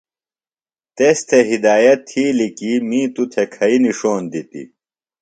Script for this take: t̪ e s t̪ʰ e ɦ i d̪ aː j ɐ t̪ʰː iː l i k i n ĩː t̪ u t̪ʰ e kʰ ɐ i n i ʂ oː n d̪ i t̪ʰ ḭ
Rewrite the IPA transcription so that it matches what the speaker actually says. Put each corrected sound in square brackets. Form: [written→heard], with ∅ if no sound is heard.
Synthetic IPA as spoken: t̪ e s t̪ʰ e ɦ i d̪ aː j ɐ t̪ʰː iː l i k i [n→m] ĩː t̪ u t̪ʰ e kʰ ɐ i n i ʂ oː n d̪ i [t̪ʰ→t̪] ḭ